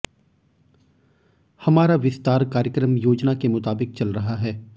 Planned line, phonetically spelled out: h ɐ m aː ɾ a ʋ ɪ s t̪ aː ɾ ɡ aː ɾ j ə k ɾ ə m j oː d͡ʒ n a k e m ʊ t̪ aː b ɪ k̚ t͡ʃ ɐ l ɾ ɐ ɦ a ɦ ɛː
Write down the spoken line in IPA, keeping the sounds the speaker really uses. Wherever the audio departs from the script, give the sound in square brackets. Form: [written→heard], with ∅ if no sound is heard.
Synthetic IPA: h ɐ m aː ɾ a ʋ ɪ s t̪ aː ɾ [ɡ→k] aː ɾ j ə k ɾ ə m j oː d͡ʒ n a k e m ʊ t̪ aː b ɪ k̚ t͡ʃ ɐ l ɾ ɐ ɦ a ɦ ɛː